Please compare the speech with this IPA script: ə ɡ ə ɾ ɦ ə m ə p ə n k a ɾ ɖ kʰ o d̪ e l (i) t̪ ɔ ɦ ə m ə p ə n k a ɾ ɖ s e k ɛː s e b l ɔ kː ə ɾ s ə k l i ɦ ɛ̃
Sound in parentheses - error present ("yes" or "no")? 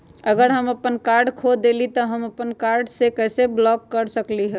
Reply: no